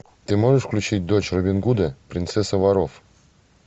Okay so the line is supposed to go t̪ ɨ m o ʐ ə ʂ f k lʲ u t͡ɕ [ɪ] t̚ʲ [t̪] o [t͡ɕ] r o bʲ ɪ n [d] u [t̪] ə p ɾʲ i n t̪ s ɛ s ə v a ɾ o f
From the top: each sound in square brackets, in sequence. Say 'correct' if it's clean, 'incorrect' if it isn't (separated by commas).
incorrect, incorrect, correct, incorrect, incorrect